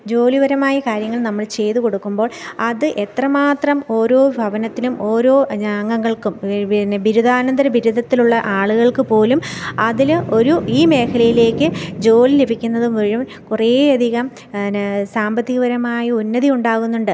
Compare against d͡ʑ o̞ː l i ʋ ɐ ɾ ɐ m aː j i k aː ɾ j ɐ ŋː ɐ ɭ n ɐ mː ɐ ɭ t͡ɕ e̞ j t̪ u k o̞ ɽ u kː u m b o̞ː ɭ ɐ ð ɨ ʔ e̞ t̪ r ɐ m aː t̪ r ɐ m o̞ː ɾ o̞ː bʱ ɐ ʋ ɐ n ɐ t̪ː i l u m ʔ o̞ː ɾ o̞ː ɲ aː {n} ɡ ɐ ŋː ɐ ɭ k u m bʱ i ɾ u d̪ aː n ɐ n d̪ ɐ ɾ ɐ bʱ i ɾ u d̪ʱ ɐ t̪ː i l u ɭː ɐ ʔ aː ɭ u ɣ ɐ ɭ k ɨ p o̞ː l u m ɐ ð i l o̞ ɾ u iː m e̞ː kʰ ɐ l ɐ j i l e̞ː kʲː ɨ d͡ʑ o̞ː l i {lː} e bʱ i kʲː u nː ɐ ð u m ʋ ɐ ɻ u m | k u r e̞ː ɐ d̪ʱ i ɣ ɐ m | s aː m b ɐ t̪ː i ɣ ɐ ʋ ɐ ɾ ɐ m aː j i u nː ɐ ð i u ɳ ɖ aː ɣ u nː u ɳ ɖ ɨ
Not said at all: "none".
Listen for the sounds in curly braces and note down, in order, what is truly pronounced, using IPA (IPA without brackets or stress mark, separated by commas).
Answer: ŋ, l